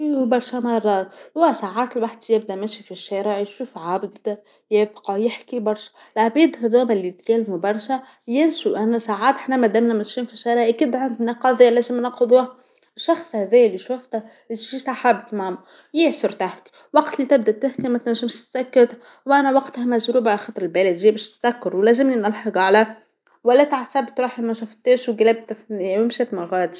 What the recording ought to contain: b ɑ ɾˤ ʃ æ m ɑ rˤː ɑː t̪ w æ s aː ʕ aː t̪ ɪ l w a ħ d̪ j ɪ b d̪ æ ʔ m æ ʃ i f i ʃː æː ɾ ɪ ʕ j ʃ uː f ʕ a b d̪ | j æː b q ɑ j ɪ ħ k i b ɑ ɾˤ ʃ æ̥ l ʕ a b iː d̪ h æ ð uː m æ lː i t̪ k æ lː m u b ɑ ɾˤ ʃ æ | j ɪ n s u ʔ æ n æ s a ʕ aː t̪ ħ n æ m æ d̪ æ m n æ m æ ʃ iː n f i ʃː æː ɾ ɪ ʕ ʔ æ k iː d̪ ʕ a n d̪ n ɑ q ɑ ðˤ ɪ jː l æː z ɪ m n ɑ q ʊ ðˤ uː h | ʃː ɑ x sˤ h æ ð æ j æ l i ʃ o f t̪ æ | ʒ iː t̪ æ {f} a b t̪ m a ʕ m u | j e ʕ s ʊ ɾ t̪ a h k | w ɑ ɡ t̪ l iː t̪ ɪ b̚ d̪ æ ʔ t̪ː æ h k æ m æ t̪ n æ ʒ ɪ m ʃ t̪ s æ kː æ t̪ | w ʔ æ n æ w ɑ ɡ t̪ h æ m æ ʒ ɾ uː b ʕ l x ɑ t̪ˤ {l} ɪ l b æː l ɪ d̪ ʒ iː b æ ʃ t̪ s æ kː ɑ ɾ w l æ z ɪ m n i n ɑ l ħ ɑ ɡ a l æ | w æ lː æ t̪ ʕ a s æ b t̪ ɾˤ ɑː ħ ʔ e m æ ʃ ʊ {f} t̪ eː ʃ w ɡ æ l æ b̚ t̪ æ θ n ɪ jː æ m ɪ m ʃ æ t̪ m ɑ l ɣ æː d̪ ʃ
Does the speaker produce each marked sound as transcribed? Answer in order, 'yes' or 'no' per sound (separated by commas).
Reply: no, no, yes